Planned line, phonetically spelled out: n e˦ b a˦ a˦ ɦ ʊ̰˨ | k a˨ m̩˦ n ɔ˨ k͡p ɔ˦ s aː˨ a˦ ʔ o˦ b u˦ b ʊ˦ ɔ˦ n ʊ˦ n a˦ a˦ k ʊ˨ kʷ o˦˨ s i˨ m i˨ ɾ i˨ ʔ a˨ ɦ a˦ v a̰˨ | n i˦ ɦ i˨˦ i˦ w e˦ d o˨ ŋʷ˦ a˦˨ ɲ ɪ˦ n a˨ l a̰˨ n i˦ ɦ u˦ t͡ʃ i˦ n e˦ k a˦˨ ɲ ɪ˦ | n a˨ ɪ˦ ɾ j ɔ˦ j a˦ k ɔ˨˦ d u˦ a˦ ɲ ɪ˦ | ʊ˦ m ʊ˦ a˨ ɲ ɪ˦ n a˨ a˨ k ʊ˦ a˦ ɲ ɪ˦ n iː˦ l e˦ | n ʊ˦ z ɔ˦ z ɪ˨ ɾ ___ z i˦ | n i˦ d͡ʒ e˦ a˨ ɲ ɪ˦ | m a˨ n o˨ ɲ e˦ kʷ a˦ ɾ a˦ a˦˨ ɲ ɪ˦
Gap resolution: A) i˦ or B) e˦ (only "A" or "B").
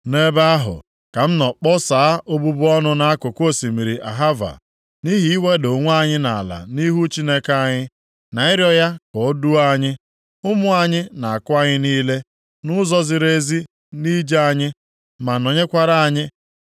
B